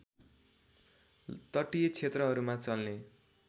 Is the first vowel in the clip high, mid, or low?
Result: mid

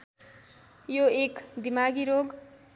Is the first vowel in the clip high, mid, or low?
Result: mid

